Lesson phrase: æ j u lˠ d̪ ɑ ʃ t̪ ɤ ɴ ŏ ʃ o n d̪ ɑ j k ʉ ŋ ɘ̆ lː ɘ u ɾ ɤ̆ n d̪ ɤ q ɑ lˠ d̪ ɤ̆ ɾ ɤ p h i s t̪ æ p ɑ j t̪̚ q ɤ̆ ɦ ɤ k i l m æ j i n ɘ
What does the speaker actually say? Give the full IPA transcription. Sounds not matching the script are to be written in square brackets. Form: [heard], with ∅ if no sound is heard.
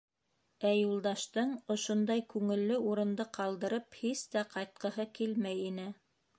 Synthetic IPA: æ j u lˠ d̪ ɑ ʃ t̪ ɤ ɴ ŏ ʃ o n d̪ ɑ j k ʉ ŋ ɘ̆ lː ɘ u ɾ ɤ̆ n d̪ ɤ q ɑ lˠ d̪ ɤ̆ ɾ ɤ p h i s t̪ æ [q] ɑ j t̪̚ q ɤ̆ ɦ ɤ k i l m æ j i n ɘ